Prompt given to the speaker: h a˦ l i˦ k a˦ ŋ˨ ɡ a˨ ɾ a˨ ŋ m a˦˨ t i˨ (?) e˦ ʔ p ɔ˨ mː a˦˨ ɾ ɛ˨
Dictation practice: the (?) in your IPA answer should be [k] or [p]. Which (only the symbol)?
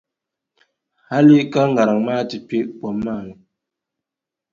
p